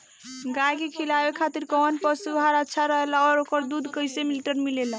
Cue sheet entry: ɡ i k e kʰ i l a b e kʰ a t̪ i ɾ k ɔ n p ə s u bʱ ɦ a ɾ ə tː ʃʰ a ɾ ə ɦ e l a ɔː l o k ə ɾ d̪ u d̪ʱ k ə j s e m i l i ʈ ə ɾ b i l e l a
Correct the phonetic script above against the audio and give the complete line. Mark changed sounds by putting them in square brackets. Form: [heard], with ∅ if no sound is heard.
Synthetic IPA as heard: ɡ [a] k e kʰ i l a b e kʰ a t̪ i ɾ k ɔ n p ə s u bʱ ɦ a ɾ ə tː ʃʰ a ɾ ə ɦ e l a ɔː [ɾ] o k ə ɾ d̪ u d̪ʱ k ə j s e m i l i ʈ ə ɾ [m] i l e l a